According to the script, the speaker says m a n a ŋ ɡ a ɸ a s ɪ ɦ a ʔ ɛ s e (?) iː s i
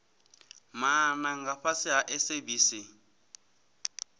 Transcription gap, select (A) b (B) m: A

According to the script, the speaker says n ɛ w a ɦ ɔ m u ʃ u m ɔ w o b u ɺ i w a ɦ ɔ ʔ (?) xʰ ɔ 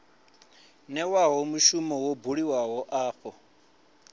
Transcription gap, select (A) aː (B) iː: A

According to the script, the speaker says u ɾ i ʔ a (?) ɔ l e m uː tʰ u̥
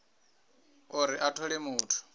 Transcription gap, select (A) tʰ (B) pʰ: A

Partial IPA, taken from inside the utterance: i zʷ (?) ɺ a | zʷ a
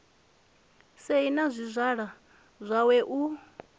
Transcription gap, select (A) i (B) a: B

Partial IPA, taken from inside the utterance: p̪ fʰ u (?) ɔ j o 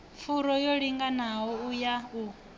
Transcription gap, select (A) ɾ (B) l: A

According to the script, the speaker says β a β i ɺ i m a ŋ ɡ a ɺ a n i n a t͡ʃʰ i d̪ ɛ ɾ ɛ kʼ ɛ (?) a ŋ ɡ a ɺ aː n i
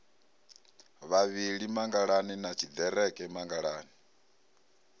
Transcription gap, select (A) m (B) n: A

